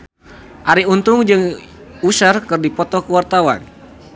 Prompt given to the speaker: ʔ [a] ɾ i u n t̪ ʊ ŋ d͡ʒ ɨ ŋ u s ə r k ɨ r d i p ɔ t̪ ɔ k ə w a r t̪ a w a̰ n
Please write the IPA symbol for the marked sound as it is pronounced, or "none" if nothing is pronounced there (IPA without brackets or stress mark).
a